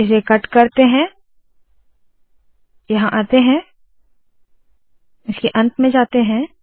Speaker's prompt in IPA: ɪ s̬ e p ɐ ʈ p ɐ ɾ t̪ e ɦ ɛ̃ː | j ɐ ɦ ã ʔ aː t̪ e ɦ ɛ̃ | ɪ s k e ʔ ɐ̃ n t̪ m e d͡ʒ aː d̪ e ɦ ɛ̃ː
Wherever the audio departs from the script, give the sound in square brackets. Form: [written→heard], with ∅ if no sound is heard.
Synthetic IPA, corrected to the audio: ɪ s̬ e [p→k] ɐ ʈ [p→k] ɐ ɾ t̪ e ɦ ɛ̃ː | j ɐ ɦ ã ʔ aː t̪ e ɦ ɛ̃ | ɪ s k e ʔ ɐ̃ n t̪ m [e→ẽ] d͡ʒ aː [d̪→t̪] e ɦ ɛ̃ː